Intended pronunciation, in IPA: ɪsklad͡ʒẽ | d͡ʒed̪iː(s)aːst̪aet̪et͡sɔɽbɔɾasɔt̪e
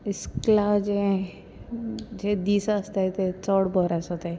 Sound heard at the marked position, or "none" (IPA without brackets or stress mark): s